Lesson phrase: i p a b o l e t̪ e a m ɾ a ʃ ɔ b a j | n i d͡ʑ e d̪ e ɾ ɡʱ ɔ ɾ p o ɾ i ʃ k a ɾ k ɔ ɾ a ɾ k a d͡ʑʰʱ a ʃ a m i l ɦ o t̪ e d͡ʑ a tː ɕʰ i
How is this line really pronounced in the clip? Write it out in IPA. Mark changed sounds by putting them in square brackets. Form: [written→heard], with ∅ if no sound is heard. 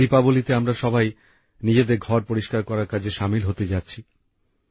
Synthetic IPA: i p a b o l [e→i] t̪ e a m ɾ a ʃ ɔ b a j | n i d͡ʑ e d̪ e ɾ ɡʱ ɔ ɾ p o ɾ i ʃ k a ɾ k ɔ ɾ a ɾ k a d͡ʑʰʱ [a→e] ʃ a m i l ɦ o t̪ e d͡ʑ a tː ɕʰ i